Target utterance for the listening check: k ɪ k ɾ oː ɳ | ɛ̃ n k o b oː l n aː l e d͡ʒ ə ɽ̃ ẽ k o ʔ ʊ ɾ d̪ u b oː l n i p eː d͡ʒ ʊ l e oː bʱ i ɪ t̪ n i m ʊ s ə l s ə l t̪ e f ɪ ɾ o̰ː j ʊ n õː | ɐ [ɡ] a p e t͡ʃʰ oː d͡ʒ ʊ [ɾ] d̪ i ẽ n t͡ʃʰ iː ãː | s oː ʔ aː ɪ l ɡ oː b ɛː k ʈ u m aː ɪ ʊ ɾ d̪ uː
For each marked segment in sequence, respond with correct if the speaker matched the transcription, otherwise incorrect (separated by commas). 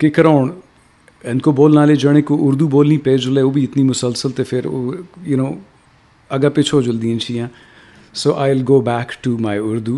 correct, incorrect